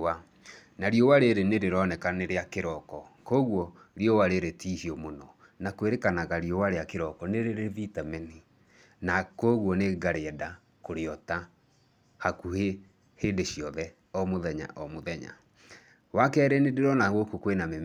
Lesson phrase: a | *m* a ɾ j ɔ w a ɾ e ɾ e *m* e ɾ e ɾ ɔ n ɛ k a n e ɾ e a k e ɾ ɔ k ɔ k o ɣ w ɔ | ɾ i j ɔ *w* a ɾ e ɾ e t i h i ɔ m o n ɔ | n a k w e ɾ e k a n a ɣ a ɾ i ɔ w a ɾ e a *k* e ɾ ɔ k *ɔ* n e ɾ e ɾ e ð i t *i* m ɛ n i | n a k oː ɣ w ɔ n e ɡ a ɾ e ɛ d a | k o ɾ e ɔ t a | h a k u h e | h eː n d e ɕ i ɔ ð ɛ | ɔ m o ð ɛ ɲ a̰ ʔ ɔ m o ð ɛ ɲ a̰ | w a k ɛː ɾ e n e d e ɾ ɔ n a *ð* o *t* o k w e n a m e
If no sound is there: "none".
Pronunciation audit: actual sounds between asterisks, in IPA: n, n, w, k, ɔ, a, ɣ, k

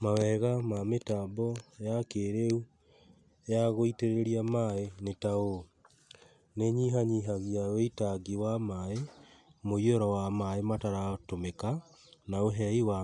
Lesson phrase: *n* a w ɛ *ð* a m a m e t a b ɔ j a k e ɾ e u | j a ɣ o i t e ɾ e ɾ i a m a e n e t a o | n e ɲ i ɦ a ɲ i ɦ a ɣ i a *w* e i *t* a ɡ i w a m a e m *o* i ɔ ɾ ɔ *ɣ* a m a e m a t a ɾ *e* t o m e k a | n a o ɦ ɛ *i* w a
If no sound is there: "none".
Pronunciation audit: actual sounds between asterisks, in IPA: m, ɣ, w, t, o, w, a, i

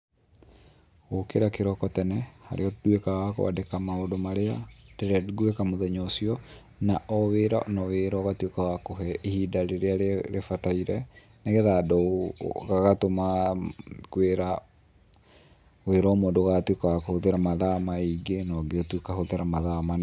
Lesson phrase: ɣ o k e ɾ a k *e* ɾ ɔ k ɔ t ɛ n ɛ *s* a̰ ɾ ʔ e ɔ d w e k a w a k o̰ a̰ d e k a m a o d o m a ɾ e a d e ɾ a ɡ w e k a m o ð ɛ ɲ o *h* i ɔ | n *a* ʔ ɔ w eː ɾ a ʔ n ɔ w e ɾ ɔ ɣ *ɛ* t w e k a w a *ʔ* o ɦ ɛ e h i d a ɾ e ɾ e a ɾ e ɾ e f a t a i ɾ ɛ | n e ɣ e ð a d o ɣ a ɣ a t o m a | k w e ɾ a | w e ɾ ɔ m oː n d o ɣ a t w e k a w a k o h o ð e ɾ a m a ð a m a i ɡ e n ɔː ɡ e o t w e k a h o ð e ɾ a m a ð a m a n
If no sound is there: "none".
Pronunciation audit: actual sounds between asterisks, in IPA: e, h, s, a, a, k

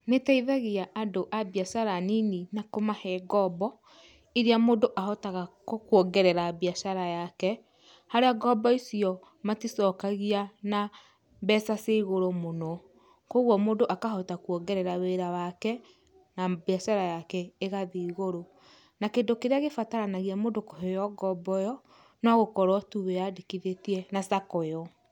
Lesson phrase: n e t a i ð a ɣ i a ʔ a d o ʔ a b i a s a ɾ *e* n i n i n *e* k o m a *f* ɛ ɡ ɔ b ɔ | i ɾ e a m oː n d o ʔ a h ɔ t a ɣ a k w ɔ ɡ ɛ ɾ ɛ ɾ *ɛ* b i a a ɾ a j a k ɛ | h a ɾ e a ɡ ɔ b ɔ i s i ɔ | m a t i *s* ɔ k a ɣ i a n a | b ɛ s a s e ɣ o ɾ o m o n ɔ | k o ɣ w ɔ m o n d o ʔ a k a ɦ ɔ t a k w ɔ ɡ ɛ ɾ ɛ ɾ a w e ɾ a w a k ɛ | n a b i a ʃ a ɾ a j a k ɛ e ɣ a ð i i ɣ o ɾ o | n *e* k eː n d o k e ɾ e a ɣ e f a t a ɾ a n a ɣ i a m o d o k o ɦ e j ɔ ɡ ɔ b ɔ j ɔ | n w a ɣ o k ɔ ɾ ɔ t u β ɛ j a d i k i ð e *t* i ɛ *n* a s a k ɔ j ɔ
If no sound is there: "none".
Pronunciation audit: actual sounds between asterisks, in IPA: a, a, h, a, s, a, t, n

